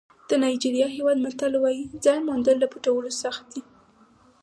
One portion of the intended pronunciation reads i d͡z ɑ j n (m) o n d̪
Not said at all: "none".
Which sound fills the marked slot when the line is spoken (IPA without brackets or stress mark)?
m